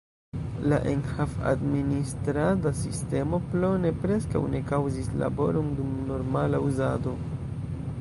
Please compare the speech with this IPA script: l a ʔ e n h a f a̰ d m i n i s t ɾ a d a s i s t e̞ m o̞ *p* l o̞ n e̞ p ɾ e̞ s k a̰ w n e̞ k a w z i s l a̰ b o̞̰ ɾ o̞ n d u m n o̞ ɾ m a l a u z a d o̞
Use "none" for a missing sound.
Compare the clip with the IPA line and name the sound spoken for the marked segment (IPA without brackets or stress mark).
p